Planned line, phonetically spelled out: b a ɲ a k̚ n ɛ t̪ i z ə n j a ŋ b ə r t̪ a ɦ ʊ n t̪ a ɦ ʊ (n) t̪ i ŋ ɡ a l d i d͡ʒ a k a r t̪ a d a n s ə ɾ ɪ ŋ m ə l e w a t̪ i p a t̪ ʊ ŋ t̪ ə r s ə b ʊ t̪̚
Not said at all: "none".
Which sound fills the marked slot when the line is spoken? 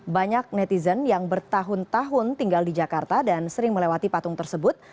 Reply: n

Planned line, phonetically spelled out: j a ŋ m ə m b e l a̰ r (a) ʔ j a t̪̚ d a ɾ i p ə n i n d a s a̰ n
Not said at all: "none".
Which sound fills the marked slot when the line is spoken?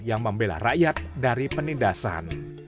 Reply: a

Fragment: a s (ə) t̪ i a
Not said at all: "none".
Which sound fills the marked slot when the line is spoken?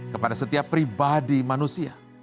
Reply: ə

